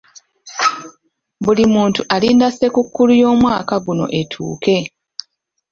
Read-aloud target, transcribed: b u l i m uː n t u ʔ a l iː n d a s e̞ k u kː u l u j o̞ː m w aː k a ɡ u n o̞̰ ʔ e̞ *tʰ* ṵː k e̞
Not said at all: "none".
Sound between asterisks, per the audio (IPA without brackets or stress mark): tʰ